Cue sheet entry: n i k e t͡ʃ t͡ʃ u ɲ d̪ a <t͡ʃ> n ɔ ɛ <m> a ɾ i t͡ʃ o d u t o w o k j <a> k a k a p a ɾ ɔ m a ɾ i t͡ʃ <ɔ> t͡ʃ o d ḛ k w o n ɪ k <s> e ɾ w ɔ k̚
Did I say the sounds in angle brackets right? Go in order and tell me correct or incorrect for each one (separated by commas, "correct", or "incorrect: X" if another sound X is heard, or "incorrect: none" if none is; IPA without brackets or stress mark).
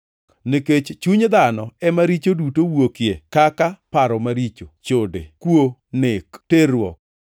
incorrect: none, correct, incorrect: e, incorrect: o, incorrect: t